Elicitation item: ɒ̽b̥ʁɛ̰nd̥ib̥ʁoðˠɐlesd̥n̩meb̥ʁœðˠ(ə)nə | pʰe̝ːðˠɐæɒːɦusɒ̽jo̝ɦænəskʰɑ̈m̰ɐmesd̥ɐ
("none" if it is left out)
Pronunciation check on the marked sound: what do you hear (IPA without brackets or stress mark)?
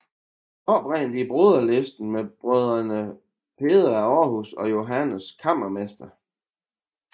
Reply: ɐ